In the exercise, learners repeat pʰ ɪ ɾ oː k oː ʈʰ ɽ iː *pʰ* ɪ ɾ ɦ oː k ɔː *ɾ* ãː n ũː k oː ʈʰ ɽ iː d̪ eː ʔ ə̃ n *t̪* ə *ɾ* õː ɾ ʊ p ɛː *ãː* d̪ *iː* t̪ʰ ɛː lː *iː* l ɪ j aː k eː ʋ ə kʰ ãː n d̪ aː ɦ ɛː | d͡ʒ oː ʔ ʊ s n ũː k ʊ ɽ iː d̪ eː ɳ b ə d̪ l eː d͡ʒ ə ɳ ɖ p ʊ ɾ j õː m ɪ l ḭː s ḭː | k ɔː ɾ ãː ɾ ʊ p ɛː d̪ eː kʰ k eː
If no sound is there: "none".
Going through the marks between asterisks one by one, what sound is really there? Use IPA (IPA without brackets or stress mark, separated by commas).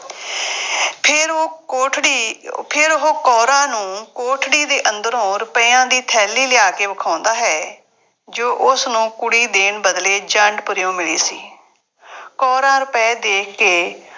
pʰ, ɾ, d̪, ɾ, ãː, iː, iː